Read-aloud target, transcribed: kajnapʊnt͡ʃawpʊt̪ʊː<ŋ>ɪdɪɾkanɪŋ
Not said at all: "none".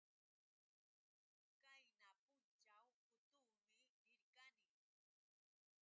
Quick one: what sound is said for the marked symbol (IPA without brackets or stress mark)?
m